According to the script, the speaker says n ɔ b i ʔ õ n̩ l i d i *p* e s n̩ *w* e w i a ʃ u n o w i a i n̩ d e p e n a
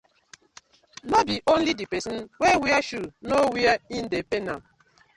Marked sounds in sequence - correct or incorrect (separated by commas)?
correct, correct